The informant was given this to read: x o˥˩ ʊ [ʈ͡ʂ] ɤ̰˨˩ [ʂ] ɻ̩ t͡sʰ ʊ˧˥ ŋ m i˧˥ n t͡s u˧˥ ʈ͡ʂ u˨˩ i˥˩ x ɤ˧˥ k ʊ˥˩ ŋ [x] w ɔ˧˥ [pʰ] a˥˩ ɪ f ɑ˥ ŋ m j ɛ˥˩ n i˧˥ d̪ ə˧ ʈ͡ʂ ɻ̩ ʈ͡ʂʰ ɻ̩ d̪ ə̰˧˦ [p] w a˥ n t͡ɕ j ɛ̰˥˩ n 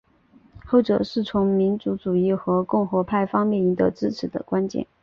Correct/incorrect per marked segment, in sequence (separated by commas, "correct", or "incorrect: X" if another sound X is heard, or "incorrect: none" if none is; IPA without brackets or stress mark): correct, correct, correct, correct, incorrect: k